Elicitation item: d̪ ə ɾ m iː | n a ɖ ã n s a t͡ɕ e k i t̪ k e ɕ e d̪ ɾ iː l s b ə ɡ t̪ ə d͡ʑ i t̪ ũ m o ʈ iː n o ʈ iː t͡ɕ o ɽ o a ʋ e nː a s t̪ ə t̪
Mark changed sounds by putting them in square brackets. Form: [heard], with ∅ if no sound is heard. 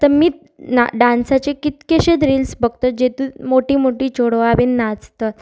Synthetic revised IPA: [t̪] ə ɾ m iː | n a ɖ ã n s a t͡ɕ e k i t̪ k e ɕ e d̪ ɾ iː l s b ə ɡ t̪ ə d͡ʑ [e] t̪ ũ m o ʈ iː [m] o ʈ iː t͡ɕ o ɽ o a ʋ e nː a [t͡s] t̪ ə t̪